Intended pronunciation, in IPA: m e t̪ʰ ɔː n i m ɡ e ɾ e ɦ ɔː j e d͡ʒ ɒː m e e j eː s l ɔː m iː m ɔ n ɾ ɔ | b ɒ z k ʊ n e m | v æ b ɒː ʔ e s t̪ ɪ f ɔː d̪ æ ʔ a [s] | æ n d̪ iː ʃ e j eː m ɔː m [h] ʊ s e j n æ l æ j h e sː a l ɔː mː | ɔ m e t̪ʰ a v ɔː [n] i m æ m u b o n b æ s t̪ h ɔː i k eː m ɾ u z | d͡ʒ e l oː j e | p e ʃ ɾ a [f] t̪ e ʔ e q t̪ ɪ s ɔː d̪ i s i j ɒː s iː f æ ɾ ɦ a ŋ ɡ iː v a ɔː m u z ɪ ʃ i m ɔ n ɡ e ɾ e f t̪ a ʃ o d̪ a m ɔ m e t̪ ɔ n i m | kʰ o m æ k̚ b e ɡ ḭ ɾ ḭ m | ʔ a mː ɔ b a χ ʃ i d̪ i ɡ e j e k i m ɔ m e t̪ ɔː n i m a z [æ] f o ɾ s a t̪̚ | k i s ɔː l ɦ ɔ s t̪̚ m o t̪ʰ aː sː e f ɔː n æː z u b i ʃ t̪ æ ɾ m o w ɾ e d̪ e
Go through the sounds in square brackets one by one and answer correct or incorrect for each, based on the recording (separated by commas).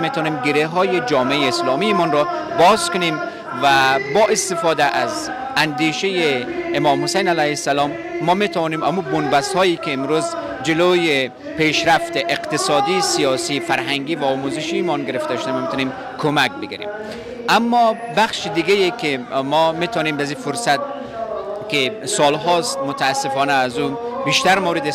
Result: incorrect, correct, correct, correct, incorrect